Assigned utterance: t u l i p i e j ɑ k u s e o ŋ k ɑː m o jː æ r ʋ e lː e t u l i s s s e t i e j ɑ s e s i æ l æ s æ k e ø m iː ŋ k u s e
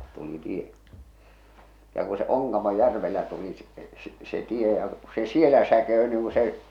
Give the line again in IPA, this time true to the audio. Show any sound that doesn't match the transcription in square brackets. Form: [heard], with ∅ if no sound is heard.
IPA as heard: t u l i [t] i e j ɑ k u s e o ŋ k [ɑ] m o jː æ r ʋ e lː [æ] t u l i s s s e t i e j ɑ s e s i [e] l æ s æ k e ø [n] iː ŋ k u s e

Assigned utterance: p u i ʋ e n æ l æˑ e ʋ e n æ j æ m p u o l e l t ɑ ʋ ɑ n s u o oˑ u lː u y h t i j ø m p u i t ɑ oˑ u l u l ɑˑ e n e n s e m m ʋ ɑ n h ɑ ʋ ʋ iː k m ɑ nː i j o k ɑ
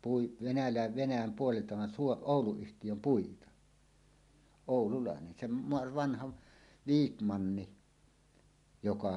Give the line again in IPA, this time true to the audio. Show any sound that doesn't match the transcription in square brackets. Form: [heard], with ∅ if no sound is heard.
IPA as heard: p u i ʋ e n æ l æˑ e ʋ e n æ j æ m p u o l e l t ɑ ʋ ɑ n s u o oˑ u [l] u y h t i j ø m p u i t ɑ oˑ u l u l ɑˑ e n e n s e m m ʋ ɑ n h ɑ ʋ ʋ iː k m ɑ nː i j o k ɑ

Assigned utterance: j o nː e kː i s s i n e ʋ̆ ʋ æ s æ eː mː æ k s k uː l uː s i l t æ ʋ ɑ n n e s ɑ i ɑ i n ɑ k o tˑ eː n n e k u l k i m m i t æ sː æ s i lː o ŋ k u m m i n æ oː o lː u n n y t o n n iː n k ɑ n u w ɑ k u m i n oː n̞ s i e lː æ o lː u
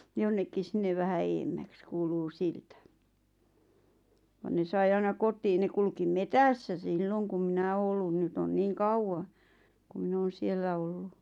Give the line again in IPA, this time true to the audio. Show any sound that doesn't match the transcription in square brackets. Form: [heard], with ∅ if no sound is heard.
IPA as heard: j o nː e kː i s s i [nː] e ʋ̆ ʋ æ [h] æ eː mː æ k s k uː l uː s i l t æ ʋ ɑ n n e s ɑ i ɑ i n ɑ k o tˑ [iː] n n e k u l k i m m [e] t æ sː æ s i lː o ŋ k u m m i n æ oː o lː u n n y t o n n iː [ŋ] k ɑ [∅] u w ɑ k u m i n oː n̞ s i e lː æ o lː u

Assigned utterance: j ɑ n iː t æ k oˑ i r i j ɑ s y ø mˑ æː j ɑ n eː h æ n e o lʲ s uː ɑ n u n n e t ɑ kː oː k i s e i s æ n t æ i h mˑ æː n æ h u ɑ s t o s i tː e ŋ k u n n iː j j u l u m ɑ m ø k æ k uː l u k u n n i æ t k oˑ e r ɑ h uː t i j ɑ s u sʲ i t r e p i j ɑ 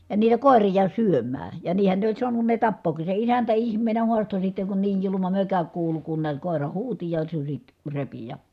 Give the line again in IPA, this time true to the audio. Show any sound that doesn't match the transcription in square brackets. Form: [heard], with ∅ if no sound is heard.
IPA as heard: j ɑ n iː t æ k oˑ [e] r i j ɑ s y ø mˑ æː j ɑ n [iː] h æ n e o lʲ s [u] ɑ n u n n e t ɑ [pː] oː k i s e i s æ n t æ i h mˑ [eː] n æ h u ɑ s t o s i tː e ŋ k u n n iː j j u l u m ɑ m ø k æ k uː l u k u n n i æ t k oˑ e r ɑ h uː t i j ɑ s u sʲ i t r e p i j ɑ

